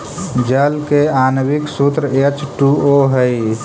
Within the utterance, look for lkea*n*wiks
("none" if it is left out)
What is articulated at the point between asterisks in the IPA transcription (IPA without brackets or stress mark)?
n